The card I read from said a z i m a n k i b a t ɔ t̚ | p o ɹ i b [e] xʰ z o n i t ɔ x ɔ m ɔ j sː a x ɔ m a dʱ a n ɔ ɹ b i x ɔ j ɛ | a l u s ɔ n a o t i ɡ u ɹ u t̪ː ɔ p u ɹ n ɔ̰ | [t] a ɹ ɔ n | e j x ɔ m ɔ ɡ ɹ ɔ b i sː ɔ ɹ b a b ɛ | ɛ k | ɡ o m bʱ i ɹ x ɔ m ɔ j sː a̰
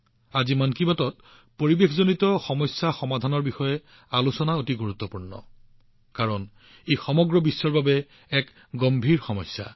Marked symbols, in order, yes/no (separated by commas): yes, no